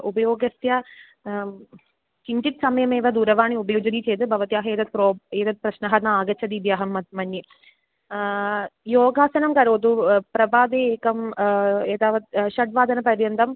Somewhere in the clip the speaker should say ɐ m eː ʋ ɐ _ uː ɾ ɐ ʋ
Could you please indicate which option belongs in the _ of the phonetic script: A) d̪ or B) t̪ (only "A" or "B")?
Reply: A